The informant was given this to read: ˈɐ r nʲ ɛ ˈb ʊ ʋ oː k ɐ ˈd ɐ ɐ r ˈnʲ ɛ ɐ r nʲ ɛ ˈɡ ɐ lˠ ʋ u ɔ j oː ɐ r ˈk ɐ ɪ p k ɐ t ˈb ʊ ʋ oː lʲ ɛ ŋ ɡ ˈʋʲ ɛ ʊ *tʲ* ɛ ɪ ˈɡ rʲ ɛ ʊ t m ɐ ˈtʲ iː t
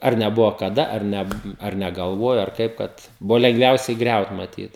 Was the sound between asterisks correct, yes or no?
no